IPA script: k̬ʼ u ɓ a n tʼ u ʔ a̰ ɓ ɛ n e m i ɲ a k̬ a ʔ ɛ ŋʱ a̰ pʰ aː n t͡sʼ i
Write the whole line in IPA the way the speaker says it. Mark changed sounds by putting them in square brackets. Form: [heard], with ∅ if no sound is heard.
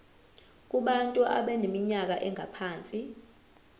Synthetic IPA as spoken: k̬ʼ u ɓ a n tʼ u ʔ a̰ ɓ ɛ n e m i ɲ a k̬ a ʔ ɛ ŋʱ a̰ pʰ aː n t͡sʼ i